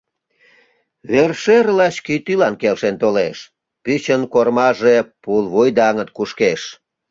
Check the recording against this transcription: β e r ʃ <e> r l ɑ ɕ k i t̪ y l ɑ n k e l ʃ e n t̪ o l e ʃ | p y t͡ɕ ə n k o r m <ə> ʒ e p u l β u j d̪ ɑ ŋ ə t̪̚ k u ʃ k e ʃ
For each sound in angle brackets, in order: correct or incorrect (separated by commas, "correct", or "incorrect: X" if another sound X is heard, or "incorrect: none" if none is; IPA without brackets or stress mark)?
correct, incorrect: ɑ